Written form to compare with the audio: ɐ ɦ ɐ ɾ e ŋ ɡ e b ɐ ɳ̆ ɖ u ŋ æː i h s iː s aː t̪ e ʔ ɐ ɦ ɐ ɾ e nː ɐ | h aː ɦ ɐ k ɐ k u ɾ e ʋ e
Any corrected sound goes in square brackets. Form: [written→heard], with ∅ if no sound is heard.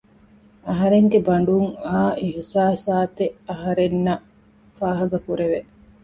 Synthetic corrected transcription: ɐ ɦ ɐ ɾ e ŋ ɡ e b ɐ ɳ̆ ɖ u ŋ [æː→aː] i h s [iː→aː] s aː t̪ e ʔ ɐ ɦ ɐ ɾ e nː ɐ | [h→f] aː ɦ ɐ [k→ɡ] ɐ k u ɾ e ʋ e

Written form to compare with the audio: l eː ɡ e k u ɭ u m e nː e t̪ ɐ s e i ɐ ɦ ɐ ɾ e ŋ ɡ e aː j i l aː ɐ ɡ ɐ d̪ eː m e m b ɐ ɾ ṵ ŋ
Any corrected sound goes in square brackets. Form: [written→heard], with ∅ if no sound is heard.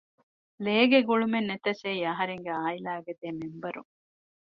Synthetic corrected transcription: l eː ɡ e [k→ɡ] u ɭ u m e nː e t̪ ɐ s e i ɐ ɦ ɐ ɾ e ŋ ɡ e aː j i l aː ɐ ɡ ɐ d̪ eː m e m b ɐ ɾ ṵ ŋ

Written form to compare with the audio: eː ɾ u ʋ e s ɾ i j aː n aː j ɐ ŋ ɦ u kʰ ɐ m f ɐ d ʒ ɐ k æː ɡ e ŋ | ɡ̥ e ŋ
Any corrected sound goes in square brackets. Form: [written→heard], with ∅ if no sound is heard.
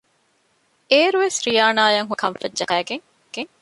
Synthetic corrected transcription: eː ɾ u ʋ e s ɾ i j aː n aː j ɐ ŋ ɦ u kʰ ɐ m f ɐ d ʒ ɐ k æː ɡ e ŋ | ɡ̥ e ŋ

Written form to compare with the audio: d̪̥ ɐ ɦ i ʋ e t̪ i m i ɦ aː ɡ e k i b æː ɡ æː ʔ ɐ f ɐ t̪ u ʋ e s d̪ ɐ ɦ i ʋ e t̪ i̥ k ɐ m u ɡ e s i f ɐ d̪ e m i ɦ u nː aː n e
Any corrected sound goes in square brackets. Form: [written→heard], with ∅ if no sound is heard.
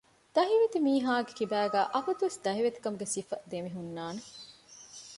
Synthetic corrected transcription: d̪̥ ɐ ɦ i ʋ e t̪ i m [i→iː] ɦ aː ɡ e k i b æː ɡ æː ʔ ɐ f ɐ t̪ u ʋ e s d̪ ɐ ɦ i ʋ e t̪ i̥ k ɐ m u ɡ e s i f ɐ d̪ e m i ɦ u nː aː n e

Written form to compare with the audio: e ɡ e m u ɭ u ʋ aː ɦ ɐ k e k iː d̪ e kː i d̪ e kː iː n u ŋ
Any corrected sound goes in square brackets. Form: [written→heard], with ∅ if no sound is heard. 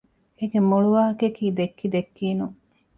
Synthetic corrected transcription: e ɡ e m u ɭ u ʋ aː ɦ ɐ k e k iː d̪ e kː i d̪ e kː iː n u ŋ

